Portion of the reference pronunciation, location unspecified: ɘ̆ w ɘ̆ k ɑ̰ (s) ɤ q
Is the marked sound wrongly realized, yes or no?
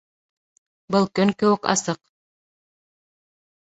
no